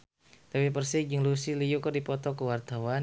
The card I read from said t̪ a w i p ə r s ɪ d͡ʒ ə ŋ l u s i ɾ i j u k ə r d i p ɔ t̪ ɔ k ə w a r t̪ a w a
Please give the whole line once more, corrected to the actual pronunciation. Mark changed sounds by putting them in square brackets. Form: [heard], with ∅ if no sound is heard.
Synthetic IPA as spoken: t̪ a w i p ə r s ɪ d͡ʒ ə ŋ l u s i [l] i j u k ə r d i p ɔ t̪ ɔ k ə w a r t̪ a w a